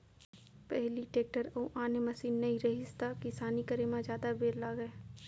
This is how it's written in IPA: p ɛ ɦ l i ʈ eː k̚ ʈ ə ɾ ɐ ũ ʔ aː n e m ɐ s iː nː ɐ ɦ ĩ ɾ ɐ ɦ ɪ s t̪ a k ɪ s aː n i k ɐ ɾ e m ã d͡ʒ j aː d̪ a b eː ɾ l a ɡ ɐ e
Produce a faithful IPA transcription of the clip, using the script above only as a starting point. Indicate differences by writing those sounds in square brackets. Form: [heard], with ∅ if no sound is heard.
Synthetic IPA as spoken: p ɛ ɦ l i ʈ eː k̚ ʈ ə ɾ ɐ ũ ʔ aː n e m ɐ s iː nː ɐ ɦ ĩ ɾ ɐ ɦ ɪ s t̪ a k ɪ s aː n i k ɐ ɾ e m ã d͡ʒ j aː d̪ a b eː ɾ l a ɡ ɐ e